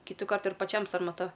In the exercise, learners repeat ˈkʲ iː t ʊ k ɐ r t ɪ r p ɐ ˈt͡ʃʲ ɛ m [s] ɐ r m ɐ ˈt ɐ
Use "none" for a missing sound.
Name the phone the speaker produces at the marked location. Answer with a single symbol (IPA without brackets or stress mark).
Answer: s